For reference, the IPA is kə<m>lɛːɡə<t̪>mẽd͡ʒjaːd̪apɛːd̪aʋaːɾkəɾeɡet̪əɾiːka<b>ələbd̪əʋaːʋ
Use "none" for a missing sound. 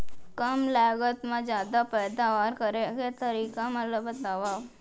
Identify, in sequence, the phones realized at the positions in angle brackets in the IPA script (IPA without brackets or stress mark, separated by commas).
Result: m, t̪, m